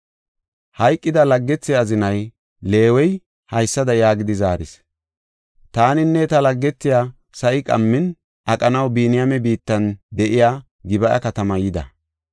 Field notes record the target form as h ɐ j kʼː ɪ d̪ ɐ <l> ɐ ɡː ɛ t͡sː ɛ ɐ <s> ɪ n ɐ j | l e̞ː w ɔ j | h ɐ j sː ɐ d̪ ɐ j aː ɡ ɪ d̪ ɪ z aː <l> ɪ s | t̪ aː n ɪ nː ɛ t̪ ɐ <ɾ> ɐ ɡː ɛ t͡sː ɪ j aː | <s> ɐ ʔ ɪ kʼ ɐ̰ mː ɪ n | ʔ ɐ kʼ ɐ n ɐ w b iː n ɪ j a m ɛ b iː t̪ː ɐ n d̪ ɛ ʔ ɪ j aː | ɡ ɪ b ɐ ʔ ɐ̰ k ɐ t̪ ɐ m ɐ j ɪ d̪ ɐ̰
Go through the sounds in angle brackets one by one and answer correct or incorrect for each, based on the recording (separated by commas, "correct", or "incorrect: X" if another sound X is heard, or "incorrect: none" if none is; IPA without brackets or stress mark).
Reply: correct, incorrect: z, incorrect: ɾ, incorrect: l, correct